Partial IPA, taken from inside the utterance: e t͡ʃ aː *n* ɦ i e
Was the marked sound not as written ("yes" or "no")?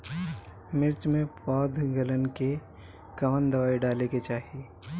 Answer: yes